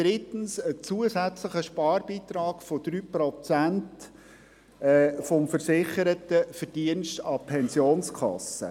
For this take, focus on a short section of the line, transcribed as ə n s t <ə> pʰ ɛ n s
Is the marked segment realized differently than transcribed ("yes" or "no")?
yes